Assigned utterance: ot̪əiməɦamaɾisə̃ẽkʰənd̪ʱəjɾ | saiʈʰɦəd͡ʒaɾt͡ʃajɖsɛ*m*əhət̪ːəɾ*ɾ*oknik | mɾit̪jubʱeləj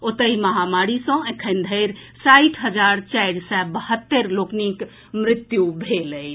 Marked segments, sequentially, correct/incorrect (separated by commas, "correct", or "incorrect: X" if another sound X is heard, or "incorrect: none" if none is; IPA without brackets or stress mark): incorrect: b, incorrect: l